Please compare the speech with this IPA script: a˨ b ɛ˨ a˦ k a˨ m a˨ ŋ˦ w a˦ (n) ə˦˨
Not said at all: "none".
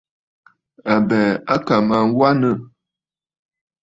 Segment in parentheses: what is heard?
n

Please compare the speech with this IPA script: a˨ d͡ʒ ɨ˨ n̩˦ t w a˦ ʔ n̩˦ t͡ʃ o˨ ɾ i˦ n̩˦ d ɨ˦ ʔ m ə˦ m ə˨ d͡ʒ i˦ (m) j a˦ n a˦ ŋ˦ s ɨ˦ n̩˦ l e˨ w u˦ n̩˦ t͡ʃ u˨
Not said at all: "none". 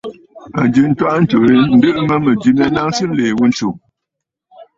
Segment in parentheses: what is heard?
m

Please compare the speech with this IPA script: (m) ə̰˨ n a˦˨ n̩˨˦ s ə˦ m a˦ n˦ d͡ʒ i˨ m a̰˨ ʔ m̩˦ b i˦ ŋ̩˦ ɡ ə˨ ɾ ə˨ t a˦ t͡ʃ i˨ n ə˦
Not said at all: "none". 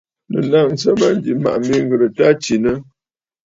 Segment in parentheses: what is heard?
n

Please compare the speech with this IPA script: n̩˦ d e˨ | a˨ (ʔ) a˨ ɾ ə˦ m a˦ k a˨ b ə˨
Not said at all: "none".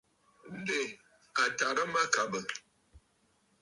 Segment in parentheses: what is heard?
t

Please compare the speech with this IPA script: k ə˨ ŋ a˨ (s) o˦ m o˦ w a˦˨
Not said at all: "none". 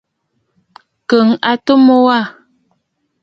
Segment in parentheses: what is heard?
t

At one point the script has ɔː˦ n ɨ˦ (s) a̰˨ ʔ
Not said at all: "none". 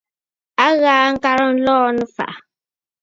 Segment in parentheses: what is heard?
f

